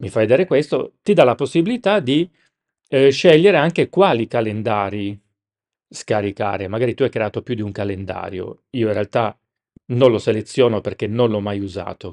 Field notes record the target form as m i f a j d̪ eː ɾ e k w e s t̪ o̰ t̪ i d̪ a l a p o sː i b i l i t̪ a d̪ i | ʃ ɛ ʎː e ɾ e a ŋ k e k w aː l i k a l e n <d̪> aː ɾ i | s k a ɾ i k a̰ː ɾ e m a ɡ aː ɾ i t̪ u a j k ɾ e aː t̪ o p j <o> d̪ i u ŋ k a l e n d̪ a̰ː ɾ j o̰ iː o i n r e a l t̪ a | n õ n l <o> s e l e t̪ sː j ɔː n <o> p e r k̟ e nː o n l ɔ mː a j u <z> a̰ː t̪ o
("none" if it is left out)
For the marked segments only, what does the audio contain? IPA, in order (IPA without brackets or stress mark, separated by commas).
d̪, u, o, o, z